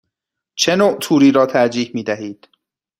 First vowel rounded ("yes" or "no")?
no